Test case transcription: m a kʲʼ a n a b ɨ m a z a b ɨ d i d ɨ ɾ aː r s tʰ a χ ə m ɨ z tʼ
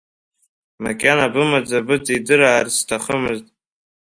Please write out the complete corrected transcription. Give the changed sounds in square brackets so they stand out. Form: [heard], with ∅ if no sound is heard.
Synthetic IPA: m a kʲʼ a n a b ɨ m a [d͡z] a b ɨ [d͡z] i d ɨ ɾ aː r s tʰ a χ ə m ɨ z tʼ